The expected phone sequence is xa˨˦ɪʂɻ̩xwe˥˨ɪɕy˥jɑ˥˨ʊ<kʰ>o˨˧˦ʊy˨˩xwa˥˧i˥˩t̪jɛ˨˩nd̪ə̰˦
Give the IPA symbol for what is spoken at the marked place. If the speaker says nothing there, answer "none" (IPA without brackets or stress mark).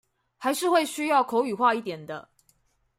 kʰ